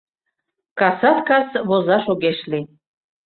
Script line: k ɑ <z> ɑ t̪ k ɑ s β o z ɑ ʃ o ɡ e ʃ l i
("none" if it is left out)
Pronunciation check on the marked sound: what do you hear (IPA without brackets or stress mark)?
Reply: s